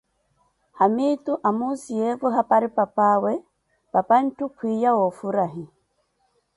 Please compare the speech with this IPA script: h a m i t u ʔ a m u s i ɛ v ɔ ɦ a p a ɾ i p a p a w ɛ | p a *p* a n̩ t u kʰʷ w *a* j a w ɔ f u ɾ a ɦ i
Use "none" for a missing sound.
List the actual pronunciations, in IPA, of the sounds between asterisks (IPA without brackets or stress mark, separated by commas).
p, i